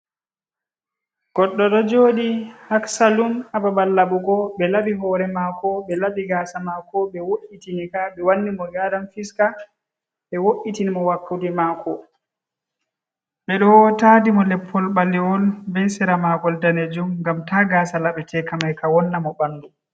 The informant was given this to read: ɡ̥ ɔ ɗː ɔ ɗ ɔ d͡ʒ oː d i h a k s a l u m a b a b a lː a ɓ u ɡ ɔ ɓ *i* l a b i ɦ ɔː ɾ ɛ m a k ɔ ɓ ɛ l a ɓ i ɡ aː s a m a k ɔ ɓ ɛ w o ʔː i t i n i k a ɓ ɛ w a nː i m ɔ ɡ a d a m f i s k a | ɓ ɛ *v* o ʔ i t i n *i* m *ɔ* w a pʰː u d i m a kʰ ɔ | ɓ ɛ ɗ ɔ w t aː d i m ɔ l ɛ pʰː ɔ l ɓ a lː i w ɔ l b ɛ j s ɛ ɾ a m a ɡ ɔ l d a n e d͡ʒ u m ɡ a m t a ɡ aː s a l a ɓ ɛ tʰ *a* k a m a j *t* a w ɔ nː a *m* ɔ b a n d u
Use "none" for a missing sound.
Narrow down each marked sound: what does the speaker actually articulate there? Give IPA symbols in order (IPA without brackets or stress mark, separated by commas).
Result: ɛ, w, i, ɔ, ɛ, k, m